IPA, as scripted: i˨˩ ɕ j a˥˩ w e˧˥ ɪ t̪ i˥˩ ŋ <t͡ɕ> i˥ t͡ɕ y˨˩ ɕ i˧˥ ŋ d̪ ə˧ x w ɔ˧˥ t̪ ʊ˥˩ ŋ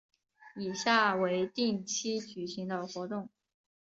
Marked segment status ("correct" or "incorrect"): incorrect